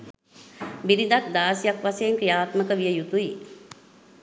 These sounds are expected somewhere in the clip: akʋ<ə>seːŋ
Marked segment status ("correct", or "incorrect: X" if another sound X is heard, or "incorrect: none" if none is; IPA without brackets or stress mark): incorrect: a